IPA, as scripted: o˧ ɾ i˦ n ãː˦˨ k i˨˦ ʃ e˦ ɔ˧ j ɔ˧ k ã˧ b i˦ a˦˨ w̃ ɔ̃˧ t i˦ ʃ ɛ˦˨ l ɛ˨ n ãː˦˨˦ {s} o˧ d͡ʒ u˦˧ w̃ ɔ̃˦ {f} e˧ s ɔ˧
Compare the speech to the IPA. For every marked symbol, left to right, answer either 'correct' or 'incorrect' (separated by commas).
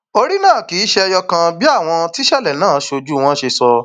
incorrect, incorrect